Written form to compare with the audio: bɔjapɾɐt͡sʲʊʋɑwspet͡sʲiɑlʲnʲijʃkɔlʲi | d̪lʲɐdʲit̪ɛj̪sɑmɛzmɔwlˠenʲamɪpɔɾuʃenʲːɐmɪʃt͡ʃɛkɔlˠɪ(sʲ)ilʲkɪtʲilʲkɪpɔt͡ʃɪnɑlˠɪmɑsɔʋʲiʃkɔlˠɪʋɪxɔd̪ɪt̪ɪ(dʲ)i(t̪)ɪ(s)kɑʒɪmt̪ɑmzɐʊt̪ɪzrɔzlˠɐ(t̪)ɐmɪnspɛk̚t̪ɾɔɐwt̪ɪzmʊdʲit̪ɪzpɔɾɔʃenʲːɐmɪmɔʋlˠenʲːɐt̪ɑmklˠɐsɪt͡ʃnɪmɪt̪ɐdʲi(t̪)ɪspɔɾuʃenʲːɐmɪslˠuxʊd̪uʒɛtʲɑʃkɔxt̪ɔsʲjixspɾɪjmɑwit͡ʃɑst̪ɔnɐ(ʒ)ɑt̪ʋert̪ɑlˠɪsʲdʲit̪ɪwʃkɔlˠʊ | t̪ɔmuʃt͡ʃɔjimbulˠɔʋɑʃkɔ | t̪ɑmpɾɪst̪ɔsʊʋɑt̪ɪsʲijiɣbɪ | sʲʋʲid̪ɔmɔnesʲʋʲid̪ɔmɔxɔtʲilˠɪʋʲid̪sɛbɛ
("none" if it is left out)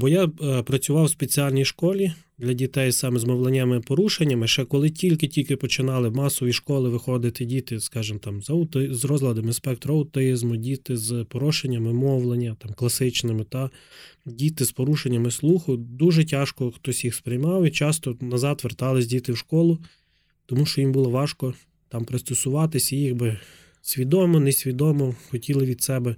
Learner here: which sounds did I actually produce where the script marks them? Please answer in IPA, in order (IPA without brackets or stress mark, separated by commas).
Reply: tʲ, dʲ, t̪, s, d̪, t̪, z